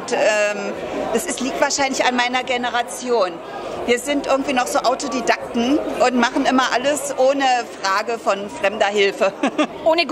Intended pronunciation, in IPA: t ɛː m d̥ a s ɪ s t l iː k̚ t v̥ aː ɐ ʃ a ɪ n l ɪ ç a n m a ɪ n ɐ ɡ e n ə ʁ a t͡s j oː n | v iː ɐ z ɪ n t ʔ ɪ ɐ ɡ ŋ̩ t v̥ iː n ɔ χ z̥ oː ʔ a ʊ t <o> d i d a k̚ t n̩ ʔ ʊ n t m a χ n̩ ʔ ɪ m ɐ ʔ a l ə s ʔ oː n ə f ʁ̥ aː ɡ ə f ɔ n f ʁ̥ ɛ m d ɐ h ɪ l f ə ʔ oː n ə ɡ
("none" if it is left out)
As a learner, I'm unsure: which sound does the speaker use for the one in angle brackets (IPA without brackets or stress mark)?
o